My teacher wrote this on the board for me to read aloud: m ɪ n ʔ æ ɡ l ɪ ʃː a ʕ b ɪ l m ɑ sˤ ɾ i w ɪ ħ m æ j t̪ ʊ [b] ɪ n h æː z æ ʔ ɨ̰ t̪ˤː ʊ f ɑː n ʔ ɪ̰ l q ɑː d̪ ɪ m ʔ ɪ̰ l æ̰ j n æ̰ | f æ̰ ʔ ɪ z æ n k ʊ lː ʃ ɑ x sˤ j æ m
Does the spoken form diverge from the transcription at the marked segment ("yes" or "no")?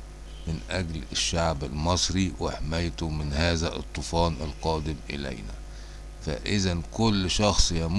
yes